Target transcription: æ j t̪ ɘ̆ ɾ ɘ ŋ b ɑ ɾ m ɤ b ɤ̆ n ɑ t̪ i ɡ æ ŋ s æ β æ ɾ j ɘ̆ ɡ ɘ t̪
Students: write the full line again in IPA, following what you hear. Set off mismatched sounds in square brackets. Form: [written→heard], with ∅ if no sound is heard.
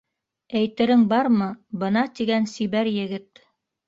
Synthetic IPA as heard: æ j t̪ ɘ̆ ɾ ɘ ŋ b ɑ ɾ m ɤ b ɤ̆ n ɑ t̪ i ɡ æ [ŋ→n] s [æ→i] β æ ɾ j ɘ̆ ɡ ɘ t̪